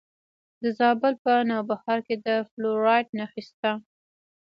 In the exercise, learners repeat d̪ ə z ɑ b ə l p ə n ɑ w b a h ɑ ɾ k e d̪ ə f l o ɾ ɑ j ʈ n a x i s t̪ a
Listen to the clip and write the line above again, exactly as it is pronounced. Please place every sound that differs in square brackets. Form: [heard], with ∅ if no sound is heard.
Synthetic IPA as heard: d̪ ə z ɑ b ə l p ə n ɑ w b a h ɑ ɾ k e d̪ ə f l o ɾ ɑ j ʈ n a x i s t̪ a